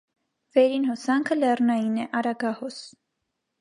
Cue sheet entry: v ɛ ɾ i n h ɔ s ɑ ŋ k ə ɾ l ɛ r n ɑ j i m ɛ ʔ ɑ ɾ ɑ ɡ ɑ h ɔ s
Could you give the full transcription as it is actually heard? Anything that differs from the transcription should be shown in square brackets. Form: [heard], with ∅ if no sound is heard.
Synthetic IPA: v ɛ ɾ i n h ɔ s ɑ ŋ [kʰ] ə [∅] l ɛ r n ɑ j i [n] ɛ ʔ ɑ ɾ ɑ ɡ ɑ h ɔ s